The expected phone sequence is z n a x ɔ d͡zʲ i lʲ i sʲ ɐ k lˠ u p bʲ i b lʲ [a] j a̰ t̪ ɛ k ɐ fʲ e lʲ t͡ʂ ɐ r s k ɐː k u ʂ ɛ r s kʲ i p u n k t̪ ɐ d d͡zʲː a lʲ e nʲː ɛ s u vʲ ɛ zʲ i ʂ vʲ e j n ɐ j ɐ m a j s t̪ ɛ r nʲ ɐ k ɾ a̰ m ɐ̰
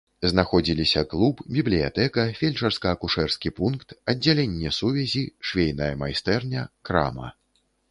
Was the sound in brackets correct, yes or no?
no